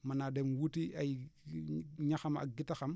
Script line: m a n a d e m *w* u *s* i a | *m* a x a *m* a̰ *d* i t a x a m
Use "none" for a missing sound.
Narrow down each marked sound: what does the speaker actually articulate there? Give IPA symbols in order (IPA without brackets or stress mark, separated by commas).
w, t, ɲ, m, ɡ